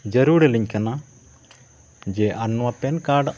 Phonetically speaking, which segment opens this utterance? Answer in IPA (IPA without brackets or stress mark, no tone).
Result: d͡ʒ